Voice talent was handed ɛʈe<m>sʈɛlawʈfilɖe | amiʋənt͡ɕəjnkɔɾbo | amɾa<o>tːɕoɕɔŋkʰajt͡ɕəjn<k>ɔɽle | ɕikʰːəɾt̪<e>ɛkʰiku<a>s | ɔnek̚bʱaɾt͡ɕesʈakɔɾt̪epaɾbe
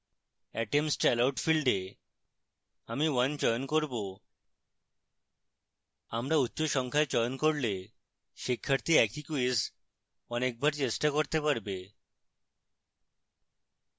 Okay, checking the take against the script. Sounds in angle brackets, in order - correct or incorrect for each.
correct, incorrect, correct, incorrect, incorrect

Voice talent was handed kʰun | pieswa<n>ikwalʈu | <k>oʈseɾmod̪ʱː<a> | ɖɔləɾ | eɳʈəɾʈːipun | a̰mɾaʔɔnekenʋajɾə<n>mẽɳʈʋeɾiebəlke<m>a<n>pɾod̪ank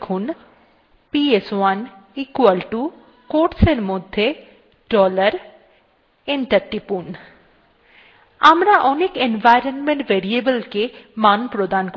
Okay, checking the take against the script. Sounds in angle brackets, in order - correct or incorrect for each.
correct, correct, incorrect, correct, correct, correct

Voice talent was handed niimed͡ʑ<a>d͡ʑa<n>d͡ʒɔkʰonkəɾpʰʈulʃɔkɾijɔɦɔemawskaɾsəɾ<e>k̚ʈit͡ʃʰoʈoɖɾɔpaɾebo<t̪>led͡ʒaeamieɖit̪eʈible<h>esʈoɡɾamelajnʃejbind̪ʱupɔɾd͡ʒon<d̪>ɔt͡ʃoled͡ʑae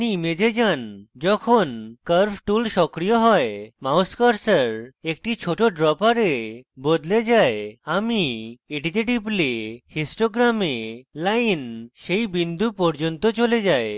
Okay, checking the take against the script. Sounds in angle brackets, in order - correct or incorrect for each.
incorrect, correct, correct, incorrect, correct, incorrect

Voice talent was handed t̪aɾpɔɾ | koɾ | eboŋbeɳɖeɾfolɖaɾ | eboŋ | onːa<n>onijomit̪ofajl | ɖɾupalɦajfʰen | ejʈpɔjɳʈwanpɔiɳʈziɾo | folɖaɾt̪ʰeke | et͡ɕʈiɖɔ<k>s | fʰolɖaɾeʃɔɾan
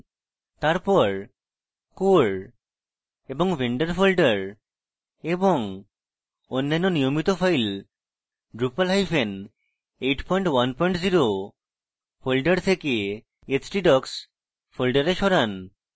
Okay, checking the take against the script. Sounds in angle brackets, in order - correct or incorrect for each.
incorrect, correct

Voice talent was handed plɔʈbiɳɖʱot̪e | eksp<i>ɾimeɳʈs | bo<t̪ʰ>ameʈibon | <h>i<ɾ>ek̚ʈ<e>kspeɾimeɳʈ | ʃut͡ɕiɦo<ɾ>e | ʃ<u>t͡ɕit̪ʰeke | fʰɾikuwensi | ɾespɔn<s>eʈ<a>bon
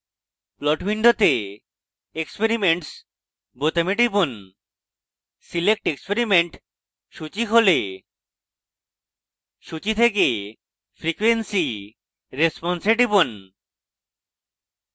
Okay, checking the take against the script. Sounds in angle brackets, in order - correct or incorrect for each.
incorrect, incorrect, incorrect, incorrect, correct, incorrect, correct, correct, incorrect

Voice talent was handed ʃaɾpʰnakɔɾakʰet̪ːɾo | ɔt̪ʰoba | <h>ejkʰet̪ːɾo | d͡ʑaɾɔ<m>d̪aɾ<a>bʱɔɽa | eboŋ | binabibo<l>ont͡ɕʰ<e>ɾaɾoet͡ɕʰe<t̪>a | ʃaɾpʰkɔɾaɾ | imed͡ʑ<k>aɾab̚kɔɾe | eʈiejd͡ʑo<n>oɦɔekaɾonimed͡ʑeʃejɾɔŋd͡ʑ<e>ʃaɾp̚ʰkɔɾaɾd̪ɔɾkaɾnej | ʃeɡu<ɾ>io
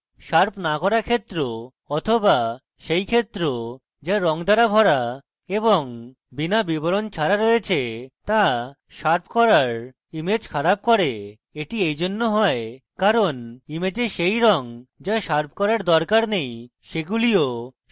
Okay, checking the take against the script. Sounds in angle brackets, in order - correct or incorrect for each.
incorrect, incorrect, correct, incorrect, incorrect, correct, incorrect, incorrect, incorrect, incorrect

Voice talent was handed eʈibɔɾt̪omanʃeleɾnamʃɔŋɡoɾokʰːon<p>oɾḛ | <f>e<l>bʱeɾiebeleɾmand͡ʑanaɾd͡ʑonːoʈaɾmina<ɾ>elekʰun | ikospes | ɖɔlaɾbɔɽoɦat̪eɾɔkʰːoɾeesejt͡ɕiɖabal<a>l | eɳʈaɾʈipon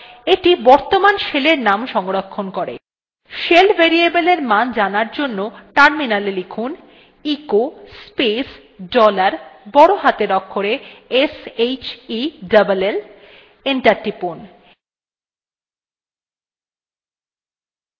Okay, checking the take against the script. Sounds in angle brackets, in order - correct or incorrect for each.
incorrect, incorrect, correct, incorrect, incorrect

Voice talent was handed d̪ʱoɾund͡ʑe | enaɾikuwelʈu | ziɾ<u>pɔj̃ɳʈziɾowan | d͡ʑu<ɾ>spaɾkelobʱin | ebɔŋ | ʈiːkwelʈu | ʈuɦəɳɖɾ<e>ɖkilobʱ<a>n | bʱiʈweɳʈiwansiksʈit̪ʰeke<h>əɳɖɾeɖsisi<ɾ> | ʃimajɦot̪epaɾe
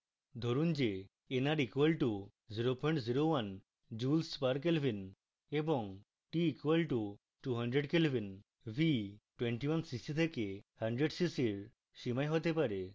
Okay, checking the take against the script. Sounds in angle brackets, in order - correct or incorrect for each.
incorrect, incorrect, correct, incorrect, correct, correct

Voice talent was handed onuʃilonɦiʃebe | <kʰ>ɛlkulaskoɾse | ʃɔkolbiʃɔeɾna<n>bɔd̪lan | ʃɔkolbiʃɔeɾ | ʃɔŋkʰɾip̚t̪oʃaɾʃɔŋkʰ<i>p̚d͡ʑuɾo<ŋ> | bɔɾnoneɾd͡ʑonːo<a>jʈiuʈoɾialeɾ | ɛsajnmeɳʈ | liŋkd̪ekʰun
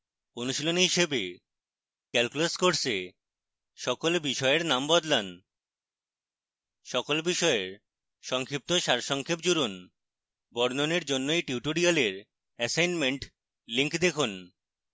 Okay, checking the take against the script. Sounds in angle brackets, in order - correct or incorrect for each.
incorrect, incorrect, incorrect, incorrect, incorrect

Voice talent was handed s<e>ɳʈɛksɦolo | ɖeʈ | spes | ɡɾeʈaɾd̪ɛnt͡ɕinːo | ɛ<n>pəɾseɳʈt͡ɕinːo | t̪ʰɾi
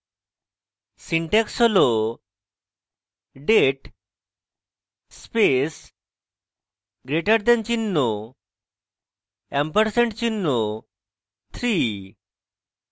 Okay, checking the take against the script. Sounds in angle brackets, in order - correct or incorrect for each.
incorrect, incorrect

